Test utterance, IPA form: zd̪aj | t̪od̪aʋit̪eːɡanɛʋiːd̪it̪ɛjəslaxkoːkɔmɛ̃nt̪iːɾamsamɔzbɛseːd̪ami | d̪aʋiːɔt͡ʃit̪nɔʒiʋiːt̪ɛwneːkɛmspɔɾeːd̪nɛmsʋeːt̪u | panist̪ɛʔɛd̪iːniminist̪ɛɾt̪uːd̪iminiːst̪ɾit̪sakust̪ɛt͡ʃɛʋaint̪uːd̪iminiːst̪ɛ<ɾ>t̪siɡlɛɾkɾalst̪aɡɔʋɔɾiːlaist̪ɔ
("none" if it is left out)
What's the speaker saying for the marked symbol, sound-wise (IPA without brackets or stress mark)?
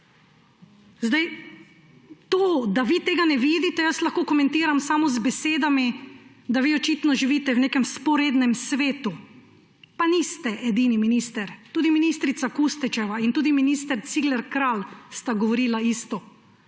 ɾ